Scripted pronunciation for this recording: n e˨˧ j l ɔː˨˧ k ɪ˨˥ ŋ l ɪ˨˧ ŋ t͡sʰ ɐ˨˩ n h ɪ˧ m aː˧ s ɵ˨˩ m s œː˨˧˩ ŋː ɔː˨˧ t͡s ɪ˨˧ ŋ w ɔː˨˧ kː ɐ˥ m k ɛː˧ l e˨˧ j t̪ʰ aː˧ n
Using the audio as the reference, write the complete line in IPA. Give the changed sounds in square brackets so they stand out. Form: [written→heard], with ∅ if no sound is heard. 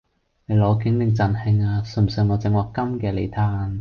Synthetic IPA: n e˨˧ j l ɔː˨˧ k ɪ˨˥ ŋ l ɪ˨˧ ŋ [t͡sʰ→t͡s] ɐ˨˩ n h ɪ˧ [m→ŋ] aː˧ s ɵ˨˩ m s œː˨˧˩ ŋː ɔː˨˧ t͡s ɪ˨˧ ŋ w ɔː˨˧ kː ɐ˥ m k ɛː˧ l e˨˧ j t̪ʰ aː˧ n